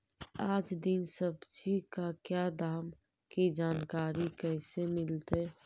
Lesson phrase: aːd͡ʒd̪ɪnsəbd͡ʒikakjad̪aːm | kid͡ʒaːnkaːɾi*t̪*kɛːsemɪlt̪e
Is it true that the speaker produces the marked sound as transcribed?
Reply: no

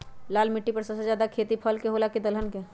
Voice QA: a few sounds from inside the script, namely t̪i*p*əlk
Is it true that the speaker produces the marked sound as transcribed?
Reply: no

